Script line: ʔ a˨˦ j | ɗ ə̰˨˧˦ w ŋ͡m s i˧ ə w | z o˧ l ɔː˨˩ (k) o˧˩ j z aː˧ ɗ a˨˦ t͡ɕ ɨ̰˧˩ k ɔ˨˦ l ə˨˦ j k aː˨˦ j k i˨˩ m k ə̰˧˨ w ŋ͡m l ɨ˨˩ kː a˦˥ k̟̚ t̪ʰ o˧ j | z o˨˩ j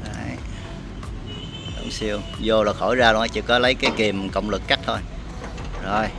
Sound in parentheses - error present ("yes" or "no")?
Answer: yes